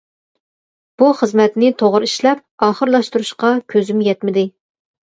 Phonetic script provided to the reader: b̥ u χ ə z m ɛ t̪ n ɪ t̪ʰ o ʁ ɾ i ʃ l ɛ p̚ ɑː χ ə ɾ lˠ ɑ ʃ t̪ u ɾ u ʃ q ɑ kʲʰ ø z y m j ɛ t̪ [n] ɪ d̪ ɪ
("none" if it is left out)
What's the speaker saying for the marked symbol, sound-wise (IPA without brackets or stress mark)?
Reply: m